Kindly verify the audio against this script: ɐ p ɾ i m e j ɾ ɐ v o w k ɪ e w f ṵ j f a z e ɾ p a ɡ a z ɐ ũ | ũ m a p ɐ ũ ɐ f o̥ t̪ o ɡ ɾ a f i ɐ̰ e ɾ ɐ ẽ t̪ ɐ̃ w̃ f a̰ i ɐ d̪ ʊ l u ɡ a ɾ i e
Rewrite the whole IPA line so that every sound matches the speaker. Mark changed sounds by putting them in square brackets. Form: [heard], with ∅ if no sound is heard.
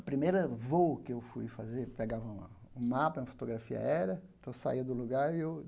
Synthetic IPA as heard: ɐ p ɾ i m e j ɾ ɐ v o w k ɪ e w f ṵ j f a z e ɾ p [e] ɡ a [v] ɐ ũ | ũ m a p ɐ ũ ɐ f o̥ t̪ o ɡ ɾ a f i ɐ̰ [ɛ] ɾ ɐ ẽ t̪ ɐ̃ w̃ [s] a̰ i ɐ d̪ ʊ l u ɡ a ɾ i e

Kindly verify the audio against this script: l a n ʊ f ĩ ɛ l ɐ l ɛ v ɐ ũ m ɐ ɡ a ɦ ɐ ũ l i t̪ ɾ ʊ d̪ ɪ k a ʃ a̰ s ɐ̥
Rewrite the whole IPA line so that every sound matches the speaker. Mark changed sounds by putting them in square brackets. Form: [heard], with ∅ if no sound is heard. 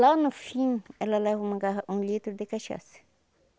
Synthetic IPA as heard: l a n ʊ f ĩ ɛ l ɐ l ɛ v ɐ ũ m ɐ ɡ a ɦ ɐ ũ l i t̪ ɾ ʊ d̪ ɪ k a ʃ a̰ s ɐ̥

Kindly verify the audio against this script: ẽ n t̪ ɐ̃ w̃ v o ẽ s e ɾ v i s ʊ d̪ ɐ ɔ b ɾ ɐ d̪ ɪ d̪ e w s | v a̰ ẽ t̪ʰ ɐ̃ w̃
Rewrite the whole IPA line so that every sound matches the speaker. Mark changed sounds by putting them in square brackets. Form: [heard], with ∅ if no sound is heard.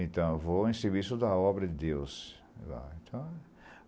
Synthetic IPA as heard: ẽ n t̪ ɐ̃ w̃ v o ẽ s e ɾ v i s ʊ d̪ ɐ ɔ b ɾ ɐ d̪ ɪ d̪ e w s | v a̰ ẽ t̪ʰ ɐ̃ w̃

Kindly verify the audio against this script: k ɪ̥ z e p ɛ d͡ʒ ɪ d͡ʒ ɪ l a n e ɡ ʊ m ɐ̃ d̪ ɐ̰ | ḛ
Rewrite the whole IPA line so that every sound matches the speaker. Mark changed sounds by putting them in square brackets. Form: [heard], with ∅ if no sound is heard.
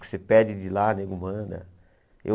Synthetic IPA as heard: k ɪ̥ [s] e p ɛ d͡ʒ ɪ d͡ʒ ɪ l a n e ɡ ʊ m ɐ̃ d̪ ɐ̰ | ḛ

